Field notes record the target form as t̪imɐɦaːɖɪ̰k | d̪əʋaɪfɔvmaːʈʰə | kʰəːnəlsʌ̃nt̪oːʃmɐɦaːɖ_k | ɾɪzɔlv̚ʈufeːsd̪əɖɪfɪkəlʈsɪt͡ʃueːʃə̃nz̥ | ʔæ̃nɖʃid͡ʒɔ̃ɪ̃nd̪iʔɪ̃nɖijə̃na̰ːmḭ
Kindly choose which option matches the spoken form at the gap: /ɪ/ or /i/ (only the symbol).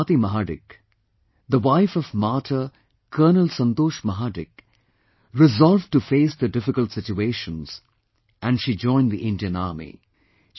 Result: ɪ